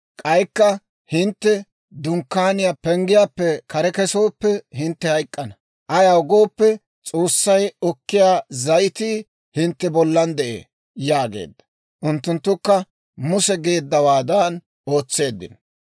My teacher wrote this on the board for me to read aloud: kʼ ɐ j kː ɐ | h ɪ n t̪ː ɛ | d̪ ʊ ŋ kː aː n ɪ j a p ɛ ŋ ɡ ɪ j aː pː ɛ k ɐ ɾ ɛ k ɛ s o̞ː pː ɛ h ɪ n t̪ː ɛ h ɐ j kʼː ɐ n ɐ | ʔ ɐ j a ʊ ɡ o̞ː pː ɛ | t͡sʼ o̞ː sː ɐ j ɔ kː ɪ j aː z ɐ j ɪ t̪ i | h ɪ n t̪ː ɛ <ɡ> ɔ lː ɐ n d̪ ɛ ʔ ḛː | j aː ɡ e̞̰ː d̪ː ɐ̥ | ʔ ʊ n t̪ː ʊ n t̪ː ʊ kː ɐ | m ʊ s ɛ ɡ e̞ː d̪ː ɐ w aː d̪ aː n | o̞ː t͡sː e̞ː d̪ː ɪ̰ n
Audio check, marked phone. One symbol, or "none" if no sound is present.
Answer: b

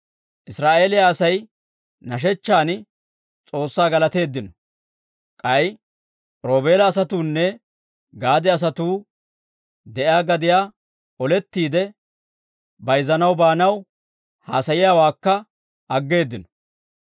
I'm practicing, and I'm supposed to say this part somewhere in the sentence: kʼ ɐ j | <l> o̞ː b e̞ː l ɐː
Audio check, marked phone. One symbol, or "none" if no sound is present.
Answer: ɾ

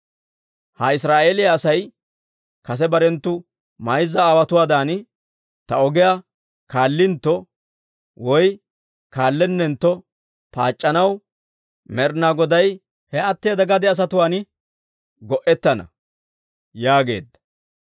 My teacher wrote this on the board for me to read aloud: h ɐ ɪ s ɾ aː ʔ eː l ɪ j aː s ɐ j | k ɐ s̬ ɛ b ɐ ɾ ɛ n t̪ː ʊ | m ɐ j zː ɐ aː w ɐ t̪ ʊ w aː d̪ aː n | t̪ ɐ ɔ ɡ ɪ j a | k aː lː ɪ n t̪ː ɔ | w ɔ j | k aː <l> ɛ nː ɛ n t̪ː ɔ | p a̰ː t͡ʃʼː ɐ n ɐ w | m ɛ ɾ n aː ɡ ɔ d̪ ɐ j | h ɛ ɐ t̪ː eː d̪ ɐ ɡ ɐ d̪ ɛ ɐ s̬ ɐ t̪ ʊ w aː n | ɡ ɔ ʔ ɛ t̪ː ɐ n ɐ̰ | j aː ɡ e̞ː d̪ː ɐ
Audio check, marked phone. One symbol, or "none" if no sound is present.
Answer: lː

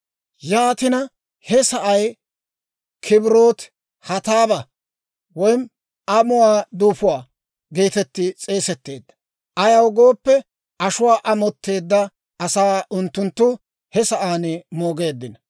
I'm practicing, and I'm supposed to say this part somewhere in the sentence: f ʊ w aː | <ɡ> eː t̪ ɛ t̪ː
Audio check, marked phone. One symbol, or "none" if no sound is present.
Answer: ɡ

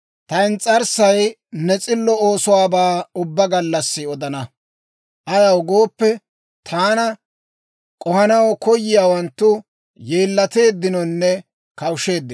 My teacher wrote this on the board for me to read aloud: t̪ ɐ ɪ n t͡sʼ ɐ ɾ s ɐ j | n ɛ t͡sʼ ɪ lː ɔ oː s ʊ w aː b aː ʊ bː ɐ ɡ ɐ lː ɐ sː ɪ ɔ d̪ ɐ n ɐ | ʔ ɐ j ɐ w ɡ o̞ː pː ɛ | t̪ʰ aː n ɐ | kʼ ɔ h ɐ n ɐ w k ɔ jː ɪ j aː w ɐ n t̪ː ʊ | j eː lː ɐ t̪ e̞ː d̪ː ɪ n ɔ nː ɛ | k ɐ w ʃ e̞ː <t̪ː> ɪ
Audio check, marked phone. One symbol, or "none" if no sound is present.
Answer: d̪ː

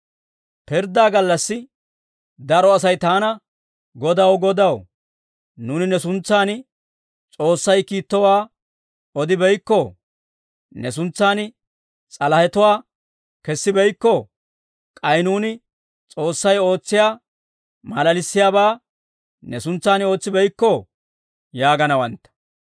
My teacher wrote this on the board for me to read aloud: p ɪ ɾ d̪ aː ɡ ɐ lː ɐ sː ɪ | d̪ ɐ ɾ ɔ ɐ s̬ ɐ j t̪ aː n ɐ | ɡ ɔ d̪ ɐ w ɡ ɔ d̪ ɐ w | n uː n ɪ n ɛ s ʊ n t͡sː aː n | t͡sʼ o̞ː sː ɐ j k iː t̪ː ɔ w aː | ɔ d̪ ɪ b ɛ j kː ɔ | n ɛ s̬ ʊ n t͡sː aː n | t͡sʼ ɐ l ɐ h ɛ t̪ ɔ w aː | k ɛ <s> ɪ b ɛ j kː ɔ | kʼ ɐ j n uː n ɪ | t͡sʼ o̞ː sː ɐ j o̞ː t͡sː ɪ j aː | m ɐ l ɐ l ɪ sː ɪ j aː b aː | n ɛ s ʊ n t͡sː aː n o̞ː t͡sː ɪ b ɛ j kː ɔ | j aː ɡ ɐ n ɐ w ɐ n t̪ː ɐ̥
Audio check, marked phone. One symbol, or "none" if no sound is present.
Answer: sː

